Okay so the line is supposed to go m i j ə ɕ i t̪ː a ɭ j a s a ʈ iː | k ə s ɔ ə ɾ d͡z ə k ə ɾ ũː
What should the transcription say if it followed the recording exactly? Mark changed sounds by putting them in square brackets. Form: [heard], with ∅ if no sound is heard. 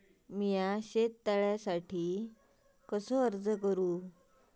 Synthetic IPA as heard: m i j [a] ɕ [e] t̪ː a ɭ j a s a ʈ iː | k ə s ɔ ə ɾ d͡z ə k ə ɾ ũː